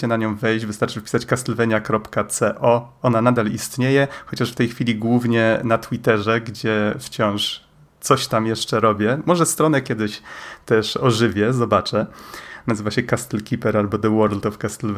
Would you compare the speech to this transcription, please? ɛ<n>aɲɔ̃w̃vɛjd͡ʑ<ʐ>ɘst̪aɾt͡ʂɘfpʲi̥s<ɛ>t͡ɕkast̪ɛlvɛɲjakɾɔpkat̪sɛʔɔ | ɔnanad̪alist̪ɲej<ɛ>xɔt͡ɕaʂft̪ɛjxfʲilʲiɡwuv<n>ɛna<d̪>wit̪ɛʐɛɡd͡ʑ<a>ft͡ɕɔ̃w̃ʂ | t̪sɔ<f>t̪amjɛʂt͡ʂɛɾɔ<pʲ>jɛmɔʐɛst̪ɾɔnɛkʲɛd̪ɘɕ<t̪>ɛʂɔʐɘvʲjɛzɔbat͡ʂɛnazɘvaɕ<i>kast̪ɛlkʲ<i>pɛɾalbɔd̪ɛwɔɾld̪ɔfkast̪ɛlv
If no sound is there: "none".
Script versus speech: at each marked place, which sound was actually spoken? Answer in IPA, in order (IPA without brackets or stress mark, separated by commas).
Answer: n, v, a, ɛ, ɲ, t̪, ɛ, ɕ, bʲ, t̪, ɛ, i